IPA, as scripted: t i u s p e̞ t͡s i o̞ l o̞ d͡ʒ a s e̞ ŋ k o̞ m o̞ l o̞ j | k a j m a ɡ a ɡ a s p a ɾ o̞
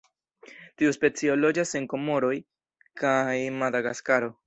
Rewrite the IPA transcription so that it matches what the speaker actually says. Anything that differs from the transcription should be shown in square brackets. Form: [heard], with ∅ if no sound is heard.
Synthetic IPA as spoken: t i u s p e̞ t͡s i o̞ l o̞ d͡ʒ a s e̞ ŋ k o̞ m o̞ [ɾ] o̞ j | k a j m a [d] a ɡ a s [k] a ɾ o̞